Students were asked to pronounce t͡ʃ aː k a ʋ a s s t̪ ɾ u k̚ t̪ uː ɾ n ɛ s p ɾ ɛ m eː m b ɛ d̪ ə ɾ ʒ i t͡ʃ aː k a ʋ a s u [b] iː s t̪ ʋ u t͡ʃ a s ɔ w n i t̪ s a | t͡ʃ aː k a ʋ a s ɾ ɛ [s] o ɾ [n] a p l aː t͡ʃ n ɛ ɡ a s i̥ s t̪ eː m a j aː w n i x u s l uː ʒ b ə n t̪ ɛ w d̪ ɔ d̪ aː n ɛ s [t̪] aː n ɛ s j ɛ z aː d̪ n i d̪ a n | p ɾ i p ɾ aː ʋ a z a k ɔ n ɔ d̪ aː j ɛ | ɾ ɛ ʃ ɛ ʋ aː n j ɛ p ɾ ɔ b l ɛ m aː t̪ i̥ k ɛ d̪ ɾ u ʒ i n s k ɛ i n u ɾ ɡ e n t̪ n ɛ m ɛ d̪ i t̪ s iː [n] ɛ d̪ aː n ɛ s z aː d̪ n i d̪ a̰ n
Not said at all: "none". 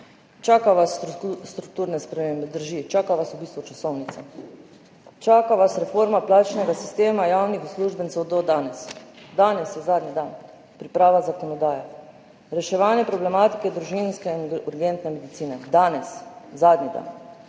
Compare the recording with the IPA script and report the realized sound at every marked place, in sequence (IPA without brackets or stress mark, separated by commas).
b, f, m, d̪, n